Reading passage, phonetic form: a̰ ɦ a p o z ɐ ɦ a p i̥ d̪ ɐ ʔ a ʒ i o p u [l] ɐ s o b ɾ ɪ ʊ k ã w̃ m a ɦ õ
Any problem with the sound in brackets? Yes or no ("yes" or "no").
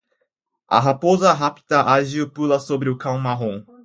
no